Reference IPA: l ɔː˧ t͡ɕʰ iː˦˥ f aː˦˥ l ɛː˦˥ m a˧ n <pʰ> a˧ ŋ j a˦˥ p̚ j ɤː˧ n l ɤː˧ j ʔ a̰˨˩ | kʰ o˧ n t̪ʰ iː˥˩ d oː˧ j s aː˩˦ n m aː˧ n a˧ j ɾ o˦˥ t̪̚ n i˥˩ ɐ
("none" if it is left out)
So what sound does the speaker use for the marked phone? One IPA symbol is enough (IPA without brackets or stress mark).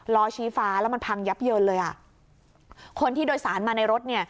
pʰ